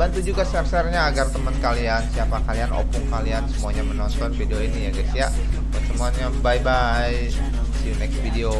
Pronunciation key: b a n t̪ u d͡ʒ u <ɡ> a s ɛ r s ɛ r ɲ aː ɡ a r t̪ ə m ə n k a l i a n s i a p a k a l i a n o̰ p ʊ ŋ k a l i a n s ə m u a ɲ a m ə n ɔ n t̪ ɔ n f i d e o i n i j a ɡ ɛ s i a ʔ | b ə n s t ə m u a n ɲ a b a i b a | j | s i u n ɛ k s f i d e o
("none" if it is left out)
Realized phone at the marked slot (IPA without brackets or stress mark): ɡ